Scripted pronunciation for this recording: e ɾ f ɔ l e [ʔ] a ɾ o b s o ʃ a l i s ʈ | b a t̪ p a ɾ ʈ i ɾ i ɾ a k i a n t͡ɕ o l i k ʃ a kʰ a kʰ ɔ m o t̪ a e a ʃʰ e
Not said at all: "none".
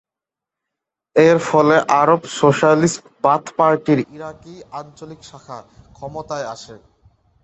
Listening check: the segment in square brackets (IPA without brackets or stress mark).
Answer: ʔ